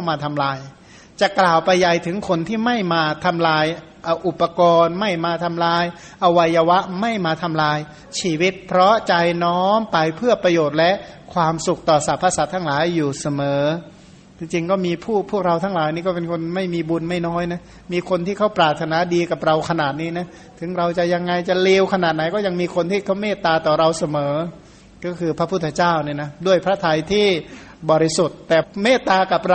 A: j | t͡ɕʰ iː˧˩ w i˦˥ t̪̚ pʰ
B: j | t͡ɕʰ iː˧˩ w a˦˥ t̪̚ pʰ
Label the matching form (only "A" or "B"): A